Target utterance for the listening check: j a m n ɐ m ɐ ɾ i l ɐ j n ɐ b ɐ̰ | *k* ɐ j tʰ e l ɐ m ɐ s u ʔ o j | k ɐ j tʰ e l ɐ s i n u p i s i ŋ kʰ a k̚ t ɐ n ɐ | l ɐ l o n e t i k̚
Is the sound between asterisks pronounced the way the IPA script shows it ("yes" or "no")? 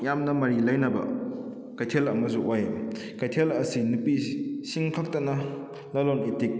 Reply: yes